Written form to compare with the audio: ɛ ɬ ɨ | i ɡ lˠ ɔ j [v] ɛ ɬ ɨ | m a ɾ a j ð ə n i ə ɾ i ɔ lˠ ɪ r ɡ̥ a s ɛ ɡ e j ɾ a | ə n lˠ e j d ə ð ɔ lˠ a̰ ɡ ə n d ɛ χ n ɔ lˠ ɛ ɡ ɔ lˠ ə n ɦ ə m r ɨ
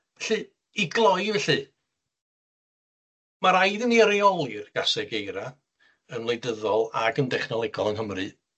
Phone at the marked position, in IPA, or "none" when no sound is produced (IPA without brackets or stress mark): v